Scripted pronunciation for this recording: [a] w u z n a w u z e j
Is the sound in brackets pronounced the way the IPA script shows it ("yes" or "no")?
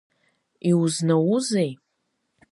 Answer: no